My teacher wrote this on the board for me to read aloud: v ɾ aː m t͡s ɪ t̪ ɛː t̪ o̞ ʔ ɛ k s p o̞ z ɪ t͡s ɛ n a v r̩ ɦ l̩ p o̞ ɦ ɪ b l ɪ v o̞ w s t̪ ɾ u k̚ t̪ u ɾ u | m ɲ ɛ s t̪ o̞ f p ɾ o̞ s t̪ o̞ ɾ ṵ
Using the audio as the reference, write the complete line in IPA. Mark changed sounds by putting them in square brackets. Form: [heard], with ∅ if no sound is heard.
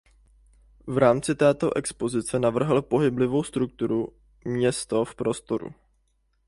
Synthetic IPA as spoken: v ɾ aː m t͡s ɪ t̪ ɛː t̪ o̞ ʔ ɛ k s p o̞ z ɪ t͡s ɛ n a v r̩ ɦ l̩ p o̞ ɦ ɪ b l ɪ v o̞ w s t̪ ɾ u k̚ t̪ u ɾ u | m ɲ ɛ s t̪ o̞ f p ɾ o̞ s t̪ o̞ ɾ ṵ